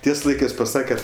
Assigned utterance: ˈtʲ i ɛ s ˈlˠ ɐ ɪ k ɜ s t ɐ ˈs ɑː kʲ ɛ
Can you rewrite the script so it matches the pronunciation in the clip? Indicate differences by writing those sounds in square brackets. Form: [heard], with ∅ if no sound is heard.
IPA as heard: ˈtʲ i ɛ s ˈlˠ ɐ ɪ k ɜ s [p] ɐ ˈs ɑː kʲ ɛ